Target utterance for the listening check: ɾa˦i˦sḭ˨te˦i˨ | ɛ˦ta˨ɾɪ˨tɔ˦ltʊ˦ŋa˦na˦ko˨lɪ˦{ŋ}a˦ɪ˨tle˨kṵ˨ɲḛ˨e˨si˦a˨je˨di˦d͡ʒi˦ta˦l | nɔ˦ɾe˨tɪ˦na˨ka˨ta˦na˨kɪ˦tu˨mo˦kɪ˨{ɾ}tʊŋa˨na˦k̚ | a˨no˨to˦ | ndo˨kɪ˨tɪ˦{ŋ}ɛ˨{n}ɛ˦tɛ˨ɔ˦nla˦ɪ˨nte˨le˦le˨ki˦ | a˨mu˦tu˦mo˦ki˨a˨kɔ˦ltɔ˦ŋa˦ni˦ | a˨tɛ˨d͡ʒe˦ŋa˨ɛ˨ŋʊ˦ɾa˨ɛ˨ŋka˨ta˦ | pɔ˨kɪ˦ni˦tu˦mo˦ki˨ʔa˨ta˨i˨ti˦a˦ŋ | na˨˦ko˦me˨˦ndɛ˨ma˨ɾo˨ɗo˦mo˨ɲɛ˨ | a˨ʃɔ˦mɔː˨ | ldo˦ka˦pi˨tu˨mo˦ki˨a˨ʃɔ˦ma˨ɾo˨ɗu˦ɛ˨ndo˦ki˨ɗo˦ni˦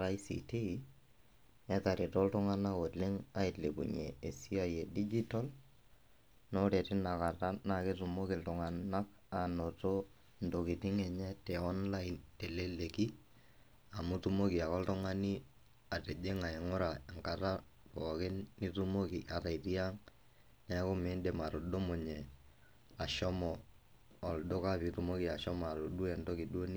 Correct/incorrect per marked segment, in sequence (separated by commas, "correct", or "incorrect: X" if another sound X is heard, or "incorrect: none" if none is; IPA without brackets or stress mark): correct, incorrect: l, correct, incorrect: ɲ